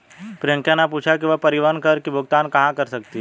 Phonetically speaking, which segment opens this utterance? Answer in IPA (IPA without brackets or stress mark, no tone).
p